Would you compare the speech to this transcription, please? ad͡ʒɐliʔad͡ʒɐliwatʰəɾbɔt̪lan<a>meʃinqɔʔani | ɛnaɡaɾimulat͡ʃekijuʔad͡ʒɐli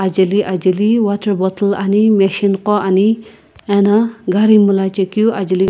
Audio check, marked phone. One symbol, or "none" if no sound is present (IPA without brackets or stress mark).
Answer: i